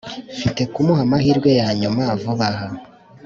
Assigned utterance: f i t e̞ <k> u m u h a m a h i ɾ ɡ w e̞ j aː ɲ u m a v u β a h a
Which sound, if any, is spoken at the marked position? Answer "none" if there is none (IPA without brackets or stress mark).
k